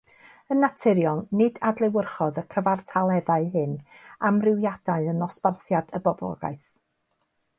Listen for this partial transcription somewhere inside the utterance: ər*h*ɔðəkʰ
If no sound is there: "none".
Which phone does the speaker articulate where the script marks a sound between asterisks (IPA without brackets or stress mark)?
χ